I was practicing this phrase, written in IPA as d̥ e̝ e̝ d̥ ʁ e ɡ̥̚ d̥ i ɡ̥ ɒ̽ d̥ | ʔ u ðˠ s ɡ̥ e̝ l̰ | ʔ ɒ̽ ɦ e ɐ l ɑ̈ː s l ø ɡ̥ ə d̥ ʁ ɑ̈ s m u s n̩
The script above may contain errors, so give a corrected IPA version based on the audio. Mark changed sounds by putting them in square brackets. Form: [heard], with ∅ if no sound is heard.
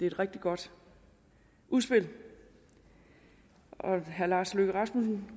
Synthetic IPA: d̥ e̝ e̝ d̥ ʁ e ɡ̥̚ d̥ i ɡ̥ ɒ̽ d̥ | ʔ u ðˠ s [b̥] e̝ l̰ | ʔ ɒ̽ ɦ [æ] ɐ l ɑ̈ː s l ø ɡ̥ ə [∅] ʁ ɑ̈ s m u s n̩